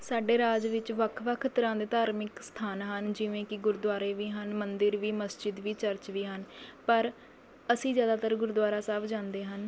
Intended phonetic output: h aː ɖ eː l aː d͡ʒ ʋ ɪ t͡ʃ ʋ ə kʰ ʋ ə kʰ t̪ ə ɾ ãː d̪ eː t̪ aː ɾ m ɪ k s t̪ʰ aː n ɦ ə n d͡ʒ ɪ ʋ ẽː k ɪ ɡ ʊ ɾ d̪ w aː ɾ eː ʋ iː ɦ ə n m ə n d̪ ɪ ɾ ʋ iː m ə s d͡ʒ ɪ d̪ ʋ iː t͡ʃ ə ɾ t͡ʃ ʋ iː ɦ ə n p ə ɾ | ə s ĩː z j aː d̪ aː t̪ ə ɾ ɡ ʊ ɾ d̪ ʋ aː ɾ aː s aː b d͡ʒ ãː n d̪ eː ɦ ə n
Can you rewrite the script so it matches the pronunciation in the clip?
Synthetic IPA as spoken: s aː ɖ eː ɾ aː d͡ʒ ʋ ɪ t͡ʃ ʋ ə kʰ ʋ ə kʰ t̪ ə ɾ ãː d̪ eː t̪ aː ɾ m ɪ k s t̪ʰ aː n ɦ ə n d͡ʒ ɪ ʋ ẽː k ɪ ɡ ʊ ɾ d̪ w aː ɾ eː ʋ iː ɦ ə n m ə n d̪ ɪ ɾ ʋ iː m ə s d͡ʒ ɪ d̪ ʋ iː t͡ʃ ə ɾ t͡ʃ ʋ iː ɦ ə n p ə ɾ | ə s ĩː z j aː d̪ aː t̪ ə ɾ ɡ ʊ ɾ d̪ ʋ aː ɾ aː s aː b d͡ʒ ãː n d̪ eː ɦ ə n